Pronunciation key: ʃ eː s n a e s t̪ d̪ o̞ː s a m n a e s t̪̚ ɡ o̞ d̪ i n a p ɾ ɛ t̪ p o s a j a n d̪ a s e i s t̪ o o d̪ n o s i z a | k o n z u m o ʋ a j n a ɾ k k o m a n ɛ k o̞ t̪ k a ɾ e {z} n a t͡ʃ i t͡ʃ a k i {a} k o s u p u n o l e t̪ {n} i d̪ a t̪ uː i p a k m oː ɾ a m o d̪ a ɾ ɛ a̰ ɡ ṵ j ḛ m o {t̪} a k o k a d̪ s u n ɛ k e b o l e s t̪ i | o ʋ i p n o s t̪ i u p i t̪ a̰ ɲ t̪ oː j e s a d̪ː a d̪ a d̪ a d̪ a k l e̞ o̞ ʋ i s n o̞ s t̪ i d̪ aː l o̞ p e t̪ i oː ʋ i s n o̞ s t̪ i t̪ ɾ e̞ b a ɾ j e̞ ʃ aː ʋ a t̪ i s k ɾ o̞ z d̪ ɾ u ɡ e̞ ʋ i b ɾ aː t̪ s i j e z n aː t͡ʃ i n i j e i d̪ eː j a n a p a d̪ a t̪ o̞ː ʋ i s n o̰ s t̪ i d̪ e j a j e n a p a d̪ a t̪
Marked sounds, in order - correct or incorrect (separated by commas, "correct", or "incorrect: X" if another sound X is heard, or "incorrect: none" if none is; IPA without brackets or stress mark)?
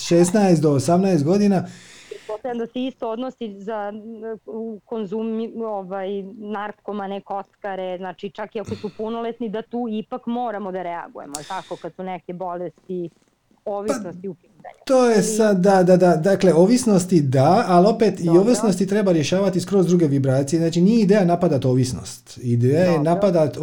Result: correct, correct, correct, correct